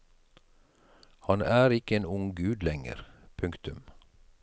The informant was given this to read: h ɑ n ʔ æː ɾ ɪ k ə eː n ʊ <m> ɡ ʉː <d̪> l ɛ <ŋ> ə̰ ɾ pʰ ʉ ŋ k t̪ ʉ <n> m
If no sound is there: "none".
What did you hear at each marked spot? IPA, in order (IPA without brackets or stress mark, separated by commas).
ŋ, d̪, ŋ, none